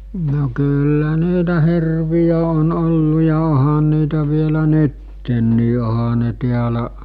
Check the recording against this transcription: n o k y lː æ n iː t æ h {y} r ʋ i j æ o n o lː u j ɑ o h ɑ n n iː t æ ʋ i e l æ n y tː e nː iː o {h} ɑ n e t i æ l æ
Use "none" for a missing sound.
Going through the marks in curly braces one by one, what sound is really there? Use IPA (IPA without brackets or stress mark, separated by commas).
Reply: i, h